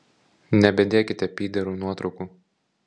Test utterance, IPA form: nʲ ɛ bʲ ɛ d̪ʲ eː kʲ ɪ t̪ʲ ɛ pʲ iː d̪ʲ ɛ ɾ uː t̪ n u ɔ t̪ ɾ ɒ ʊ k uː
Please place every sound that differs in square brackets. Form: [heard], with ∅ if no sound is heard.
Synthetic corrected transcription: nʲ ɛ bʲ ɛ d̪ʲ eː kʲ ɪ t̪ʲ ɛ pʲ iː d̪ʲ ɛ ɾ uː [∅] n u ɔ t̪ ɾ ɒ ʊ k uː